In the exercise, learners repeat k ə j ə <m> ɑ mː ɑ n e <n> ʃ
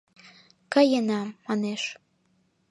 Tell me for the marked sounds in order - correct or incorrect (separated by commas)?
incorrect, incorrect